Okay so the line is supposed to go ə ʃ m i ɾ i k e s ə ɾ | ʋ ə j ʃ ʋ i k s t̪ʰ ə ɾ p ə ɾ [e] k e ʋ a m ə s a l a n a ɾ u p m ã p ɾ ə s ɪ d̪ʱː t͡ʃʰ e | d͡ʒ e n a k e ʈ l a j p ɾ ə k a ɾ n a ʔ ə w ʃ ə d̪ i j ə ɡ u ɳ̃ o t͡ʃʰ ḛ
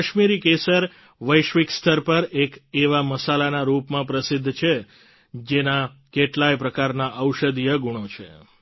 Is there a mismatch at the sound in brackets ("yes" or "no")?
no